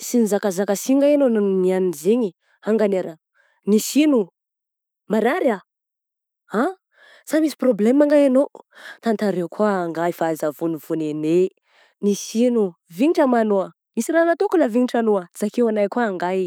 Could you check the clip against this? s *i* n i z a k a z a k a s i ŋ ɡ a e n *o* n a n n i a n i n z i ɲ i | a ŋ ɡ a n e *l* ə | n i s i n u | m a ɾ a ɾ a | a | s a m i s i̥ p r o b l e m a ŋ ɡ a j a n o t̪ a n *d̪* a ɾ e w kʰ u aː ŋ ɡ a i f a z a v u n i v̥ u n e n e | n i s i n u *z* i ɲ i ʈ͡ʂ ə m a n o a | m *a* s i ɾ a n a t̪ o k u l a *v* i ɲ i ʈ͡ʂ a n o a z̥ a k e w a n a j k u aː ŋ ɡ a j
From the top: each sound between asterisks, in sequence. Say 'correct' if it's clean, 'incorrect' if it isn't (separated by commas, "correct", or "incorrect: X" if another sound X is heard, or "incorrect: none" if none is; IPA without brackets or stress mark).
correct, correct, incorrect: ɾ, incorrect: t̪, incorrect: v, incorrect: i, correct